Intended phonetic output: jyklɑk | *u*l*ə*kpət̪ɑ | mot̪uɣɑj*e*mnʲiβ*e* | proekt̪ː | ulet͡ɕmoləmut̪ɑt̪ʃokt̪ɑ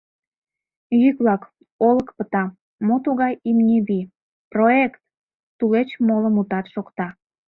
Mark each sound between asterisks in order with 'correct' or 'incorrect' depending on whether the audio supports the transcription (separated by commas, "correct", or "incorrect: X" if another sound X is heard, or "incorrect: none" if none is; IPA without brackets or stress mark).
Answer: incorrect: o, correct, incorrect: i, incorrect: i